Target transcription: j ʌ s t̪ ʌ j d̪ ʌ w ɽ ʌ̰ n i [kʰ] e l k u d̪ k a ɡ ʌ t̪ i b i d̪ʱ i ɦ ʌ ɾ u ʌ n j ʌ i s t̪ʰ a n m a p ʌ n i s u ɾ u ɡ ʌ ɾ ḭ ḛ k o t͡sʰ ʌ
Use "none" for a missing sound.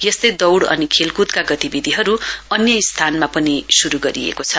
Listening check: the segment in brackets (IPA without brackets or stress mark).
kʰ